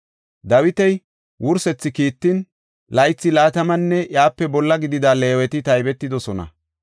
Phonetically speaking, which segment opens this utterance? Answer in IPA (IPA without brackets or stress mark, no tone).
d̪